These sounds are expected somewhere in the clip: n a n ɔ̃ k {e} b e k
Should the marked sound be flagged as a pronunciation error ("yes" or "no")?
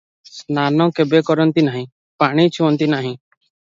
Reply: no